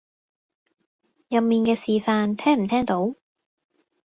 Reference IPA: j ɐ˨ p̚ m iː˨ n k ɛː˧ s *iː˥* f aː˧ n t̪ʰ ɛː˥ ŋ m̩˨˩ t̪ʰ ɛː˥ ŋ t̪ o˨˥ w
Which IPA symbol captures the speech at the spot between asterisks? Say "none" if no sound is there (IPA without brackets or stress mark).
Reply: iː˨